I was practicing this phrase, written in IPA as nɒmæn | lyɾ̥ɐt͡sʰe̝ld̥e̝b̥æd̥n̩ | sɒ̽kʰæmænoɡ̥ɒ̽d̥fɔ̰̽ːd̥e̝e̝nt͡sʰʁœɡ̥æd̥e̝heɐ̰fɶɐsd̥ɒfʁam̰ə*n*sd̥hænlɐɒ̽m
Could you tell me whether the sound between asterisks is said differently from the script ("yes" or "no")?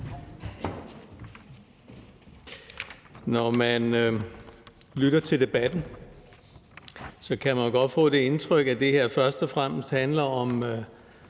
yes